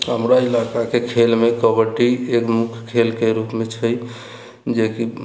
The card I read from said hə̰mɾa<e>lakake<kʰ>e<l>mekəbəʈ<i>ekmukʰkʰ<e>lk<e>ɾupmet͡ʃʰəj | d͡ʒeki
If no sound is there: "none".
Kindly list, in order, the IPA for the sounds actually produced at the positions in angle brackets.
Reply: i, kʰ, l, i, e, e

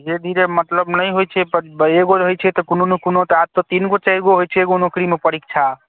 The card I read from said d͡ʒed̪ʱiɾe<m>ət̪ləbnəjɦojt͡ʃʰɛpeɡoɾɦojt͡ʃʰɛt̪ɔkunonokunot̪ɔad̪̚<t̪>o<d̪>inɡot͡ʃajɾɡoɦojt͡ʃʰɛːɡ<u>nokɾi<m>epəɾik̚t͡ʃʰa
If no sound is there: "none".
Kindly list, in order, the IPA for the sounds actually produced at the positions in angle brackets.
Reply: m, t̪, t̪, o, m

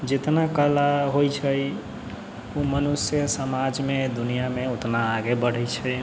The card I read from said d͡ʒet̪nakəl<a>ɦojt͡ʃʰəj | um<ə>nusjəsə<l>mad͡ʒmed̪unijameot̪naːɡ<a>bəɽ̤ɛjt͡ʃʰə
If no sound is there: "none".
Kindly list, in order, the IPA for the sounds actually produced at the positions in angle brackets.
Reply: a, ə, none, e

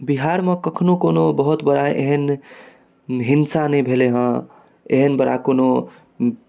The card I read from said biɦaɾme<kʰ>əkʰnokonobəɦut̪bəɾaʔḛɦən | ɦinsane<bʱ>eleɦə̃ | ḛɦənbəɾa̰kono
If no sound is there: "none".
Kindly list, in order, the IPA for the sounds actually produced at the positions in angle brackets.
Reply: k, bʱ

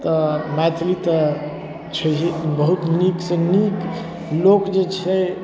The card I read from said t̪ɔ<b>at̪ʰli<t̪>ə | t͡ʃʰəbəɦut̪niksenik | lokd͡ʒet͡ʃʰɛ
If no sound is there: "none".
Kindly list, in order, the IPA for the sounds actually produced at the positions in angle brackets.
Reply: m, t̪

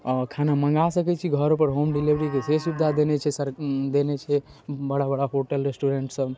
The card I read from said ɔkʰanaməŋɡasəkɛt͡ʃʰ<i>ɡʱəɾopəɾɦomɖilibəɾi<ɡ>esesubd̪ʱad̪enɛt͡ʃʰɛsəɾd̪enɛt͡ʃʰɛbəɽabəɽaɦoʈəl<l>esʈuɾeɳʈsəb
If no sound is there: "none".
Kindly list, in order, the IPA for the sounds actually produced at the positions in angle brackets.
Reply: i, k, ɾ

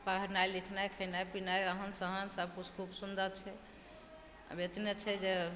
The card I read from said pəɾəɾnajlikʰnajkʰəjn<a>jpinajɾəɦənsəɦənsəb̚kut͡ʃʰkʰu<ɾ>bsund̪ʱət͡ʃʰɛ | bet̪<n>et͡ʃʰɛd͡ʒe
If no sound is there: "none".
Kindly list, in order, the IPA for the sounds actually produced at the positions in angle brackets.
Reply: a, none, n

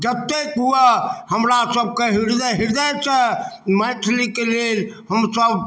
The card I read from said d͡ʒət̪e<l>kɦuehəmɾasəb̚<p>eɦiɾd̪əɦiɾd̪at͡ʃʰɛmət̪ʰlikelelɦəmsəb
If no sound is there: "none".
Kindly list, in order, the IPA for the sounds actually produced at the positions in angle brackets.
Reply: none, k

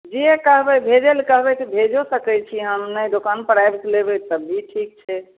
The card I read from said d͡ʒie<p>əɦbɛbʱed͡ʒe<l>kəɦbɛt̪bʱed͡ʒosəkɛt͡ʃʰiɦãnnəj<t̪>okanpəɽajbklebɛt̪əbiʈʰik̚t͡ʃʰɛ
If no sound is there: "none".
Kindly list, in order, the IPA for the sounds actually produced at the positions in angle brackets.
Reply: k, l, d̪

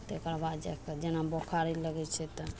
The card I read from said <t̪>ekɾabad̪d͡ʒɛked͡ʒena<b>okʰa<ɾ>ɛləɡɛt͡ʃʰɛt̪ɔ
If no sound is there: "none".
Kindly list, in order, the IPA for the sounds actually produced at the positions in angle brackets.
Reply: t̪, b, ɾ

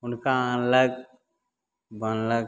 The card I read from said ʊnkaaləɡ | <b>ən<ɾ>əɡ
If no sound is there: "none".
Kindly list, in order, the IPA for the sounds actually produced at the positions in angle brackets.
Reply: b, l

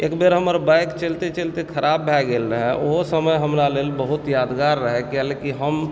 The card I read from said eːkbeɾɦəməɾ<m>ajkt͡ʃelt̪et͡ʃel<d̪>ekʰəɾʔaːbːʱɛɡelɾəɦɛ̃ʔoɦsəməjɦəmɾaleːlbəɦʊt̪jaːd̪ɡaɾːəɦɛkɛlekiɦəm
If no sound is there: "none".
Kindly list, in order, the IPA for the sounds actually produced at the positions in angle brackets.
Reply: b, t̪

